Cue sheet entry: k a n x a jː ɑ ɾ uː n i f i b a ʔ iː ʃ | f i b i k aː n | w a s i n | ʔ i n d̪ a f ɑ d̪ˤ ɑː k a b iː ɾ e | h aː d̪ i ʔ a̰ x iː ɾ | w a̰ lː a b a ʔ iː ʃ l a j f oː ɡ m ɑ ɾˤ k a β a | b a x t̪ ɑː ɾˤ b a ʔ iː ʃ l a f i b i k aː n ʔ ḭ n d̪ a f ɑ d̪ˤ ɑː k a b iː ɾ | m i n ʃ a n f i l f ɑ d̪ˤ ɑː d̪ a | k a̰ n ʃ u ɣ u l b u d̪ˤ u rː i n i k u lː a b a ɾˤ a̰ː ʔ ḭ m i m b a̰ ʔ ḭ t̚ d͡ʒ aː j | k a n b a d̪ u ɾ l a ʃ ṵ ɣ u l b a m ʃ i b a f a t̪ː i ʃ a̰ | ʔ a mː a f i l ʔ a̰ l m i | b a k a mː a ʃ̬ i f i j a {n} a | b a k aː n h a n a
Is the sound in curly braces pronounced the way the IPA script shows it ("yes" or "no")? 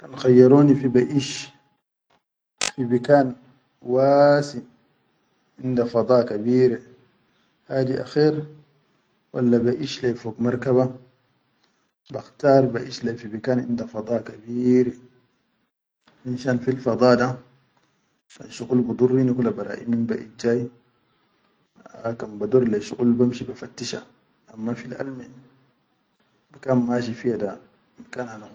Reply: no